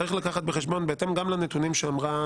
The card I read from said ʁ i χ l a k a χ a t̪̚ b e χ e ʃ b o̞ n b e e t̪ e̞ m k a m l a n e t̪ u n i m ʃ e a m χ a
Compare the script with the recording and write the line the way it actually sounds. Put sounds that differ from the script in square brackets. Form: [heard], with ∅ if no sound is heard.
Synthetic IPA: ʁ i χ l a k a χ a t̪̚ b e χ e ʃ b o̞ n b e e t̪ e̞ m [ɡ] a m l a n e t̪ u n i m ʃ e a m [ʁ] a